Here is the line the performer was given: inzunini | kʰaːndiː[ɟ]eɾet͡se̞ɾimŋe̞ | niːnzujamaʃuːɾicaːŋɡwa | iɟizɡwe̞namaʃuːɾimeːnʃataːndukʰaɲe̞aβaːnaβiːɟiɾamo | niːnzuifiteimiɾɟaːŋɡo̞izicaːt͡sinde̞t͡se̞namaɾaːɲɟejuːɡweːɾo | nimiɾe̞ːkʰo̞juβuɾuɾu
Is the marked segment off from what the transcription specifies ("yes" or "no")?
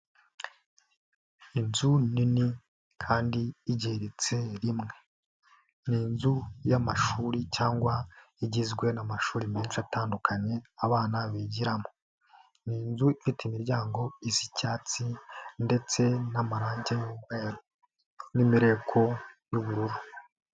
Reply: no